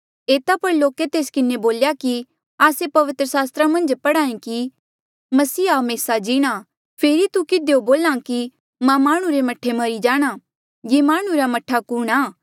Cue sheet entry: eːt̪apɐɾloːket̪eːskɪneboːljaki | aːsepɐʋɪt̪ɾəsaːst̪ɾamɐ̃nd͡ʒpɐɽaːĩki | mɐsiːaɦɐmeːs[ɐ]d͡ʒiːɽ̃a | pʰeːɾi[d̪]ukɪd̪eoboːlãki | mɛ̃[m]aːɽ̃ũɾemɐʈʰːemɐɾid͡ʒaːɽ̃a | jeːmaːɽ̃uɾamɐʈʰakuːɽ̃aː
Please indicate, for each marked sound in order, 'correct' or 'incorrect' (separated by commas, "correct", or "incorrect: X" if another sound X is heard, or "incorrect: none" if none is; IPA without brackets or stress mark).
incorrect: a, incorrect: t̪, correct